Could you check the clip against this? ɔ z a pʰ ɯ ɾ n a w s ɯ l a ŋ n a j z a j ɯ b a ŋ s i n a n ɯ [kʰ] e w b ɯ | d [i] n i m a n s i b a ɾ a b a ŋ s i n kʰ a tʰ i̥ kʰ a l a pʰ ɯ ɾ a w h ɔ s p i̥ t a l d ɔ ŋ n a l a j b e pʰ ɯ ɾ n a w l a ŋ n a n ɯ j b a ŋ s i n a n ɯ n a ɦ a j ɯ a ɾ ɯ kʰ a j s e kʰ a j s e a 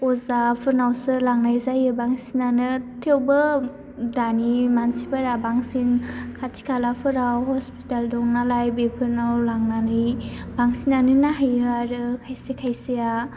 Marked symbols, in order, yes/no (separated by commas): no, no